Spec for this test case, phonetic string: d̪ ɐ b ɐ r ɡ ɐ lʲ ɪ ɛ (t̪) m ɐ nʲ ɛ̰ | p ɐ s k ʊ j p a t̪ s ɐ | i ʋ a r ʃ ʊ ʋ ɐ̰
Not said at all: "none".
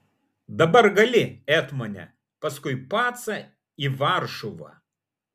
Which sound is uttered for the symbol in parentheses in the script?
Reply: t̪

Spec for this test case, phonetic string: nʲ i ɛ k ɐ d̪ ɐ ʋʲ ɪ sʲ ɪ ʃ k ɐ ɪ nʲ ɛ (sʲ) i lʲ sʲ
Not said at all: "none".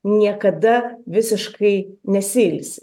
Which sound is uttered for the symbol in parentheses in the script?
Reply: sʲ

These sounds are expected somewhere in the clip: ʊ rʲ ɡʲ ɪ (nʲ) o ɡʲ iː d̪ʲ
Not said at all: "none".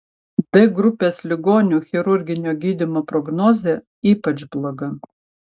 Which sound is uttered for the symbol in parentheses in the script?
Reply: nʲ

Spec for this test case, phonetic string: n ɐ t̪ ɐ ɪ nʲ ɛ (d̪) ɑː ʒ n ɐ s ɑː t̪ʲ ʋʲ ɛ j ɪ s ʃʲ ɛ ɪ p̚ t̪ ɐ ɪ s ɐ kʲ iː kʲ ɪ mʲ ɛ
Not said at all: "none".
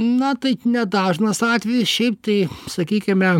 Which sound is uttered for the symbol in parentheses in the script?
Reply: d̪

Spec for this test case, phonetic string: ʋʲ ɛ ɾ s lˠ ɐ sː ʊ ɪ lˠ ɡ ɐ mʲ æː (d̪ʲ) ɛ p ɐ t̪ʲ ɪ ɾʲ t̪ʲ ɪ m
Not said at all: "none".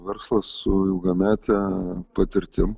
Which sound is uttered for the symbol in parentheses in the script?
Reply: t̪ʲ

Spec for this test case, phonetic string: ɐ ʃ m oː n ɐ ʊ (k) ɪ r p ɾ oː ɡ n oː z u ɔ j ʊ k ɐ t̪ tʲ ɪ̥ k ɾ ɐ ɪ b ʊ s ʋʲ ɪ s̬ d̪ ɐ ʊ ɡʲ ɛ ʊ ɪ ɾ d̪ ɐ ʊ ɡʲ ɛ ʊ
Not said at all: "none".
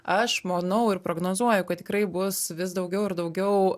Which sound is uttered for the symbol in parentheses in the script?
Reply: none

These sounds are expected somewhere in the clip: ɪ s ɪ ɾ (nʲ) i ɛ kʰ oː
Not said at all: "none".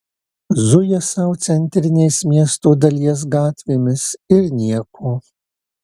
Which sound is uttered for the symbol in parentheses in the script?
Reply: nʲ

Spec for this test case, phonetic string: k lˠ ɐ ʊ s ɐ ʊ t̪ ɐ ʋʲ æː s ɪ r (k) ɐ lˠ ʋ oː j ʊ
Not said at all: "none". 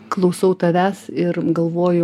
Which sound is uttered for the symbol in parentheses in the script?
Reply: ɡ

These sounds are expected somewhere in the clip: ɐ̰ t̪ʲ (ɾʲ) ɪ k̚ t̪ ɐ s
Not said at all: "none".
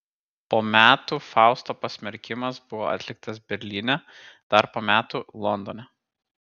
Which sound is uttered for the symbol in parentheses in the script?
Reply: lʲ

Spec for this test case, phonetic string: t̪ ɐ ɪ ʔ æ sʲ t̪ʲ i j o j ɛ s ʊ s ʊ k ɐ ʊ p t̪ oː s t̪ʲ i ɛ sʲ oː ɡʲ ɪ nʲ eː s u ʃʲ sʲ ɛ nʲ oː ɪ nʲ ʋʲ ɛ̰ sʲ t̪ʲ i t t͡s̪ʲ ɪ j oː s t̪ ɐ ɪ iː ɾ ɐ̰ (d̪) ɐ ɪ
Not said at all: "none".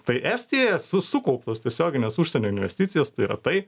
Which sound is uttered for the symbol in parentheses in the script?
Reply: t̪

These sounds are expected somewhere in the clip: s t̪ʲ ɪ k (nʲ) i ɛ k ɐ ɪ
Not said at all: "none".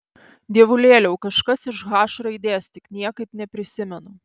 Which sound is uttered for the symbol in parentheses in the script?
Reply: nʲ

